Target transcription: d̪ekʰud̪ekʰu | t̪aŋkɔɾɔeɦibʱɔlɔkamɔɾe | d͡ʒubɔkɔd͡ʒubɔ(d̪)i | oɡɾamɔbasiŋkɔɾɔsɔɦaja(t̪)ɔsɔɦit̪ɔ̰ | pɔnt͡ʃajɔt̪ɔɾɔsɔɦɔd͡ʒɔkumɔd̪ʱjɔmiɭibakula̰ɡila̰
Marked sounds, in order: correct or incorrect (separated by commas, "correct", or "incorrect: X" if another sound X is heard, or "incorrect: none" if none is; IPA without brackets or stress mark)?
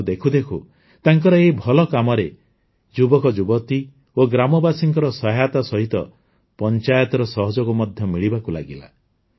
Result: incorrect: t̪, correct